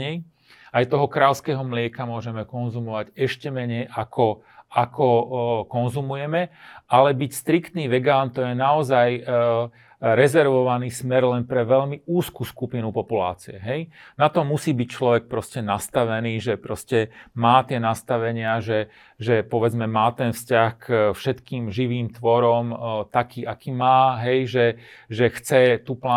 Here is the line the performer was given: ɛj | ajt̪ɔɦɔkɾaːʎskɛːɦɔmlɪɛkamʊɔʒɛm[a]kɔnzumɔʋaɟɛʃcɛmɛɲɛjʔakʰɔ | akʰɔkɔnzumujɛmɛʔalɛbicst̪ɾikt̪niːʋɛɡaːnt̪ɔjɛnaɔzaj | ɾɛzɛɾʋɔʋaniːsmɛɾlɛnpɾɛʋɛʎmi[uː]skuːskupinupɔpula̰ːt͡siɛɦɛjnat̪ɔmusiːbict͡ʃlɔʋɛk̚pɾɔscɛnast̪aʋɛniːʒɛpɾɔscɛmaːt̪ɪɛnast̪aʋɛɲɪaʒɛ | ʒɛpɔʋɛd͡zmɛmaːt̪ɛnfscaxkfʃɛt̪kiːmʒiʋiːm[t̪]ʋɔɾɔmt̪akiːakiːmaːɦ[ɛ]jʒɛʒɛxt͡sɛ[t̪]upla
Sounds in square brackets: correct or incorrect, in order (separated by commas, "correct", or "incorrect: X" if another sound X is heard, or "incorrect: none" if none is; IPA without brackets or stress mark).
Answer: incorrect: ɛ, correct, correct, correct, correct